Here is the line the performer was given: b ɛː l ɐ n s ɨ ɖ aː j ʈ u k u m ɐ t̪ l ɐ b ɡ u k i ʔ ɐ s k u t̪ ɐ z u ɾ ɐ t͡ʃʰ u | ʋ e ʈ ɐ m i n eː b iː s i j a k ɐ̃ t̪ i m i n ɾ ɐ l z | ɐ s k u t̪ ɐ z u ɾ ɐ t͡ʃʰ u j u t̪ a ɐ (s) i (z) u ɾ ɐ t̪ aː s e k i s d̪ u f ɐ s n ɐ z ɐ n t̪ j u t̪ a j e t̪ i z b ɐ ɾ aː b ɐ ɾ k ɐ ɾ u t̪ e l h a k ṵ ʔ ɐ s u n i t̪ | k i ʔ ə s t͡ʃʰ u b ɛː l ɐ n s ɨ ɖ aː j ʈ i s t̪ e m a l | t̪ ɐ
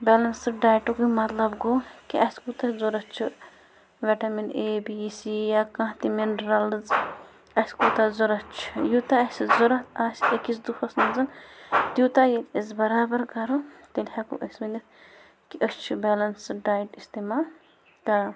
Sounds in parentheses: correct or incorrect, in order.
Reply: correct, correct

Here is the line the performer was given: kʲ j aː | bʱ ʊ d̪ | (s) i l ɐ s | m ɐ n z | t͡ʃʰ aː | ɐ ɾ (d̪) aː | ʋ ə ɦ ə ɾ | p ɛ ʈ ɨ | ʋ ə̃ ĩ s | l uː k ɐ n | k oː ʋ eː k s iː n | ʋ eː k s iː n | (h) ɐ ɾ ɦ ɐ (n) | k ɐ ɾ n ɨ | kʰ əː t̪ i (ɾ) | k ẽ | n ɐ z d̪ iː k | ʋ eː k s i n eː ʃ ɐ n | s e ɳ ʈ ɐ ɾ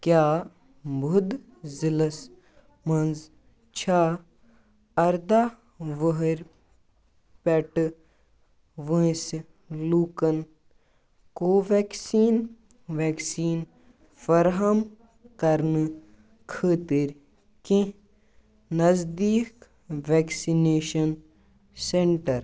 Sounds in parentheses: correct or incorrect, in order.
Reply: incorrect, correct, incorrect, incorrect, correct

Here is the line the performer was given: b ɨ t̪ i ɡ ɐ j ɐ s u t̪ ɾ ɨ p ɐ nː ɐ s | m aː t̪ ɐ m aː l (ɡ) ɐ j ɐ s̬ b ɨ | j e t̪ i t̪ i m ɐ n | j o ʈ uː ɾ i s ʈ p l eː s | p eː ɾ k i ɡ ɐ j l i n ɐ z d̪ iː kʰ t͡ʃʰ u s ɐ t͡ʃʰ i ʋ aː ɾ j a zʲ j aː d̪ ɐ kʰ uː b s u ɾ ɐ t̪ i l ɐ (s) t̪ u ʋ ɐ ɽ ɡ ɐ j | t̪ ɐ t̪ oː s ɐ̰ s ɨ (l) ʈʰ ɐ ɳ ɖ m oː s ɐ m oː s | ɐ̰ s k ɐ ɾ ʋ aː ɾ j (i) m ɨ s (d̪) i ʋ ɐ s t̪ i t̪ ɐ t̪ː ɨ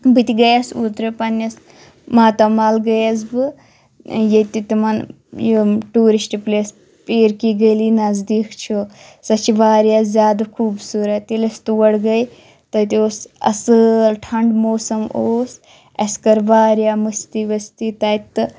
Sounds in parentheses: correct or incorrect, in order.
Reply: correct, correct, correct, incorrect, incorrect

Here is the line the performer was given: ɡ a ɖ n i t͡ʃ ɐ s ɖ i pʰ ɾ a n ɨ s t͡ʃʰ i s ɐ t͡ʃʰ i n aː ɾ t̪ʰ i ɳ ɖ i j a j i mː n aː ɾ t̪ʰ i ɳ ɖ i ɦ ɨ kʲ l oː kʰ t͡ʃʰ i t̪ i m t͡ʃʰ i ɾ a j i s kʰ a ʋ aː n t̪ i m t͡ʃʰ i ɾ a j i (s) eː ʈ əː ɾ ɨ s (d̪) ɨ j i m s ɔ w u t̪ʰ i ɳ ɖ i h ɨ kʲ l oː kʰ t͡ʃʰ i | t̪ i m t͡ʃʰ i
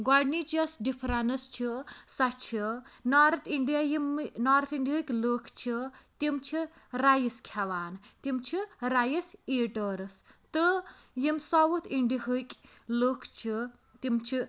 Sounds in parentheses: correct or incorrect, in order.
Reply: correct, incorrect

